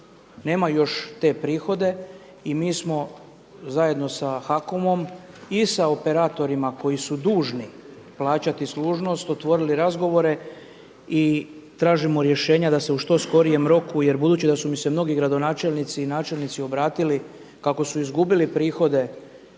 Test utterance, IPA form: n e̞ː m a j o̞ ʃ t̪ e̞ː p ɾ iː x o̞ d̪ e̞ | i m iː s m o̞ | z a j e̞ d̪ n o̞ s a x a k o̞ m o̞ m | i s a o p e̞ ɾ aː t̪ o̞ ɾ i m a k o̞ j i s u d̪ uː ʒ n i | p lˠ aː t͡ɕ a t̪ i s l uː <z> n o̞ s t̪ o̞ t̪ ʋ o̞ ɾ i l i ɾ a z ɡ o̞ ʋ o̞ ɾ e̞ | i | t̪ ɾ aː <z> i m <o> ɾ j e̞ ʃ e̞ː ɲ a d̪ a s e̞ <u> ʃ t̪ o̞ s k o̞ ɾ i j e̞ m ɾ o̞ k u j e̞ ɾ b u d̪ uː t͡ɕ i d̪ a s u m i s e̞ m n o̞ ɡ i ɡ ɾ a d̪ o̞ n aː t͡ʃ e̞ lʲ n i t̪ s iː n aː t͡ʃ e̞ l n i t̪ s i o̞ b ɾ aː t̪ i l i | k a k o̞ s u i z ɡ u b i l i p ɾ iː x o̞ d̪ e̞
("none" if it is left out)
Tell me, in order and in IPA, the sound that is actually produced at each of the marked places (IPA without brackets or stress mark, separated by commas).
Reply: ʒ, ʒ, o, u